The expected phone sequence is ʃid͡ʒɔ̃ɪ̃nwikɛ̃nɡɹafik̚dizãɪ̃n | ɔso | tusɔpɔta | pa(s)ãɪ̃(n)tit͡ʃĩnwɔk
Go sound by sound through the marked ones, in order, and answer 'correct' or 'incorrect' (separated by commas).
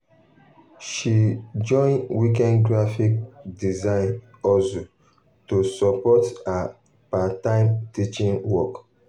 incorrect, incorrect